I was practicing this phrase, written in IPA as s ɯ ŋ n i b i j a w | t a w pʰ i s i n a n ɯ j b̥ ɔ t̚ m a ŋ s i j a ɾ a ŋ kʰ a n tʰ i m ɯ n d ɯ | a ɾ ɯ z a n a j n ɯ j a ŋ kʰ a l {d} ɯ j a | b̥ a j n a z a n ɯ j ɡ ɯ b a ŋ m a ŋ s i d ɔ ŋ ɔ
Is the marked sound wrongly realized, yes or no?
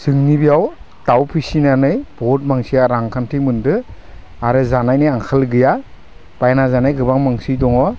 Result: yes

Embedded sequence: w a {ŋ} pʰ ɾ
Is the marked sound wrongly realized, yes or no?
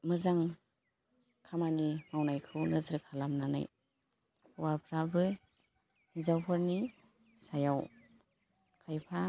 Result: yes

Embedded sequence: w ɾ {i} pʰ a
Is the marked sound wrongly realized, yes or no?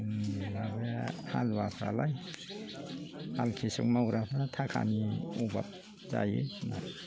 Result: yes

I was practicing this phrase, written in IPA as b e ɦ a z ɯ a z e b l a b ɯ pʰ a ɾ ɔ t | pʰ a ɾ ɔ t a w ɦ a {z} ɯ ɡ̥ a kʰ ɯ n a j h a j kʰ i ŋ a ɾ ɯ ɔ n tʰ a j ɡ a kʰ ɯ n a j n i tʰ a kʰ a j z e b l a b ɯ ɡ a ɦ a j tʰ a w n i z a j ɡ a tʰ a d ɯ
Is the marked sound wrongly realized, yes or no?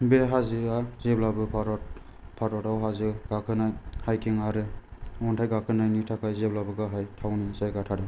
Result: no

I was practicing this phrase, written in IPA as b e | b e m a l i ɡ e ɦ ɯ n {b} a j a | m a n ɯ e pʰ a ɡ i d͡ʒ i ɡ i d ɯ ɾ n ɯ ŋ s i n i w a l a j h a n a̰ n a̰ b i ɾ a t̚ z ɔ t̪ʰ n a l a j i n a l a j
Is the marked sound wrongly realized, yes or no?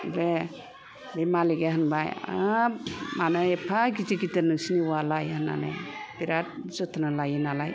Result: no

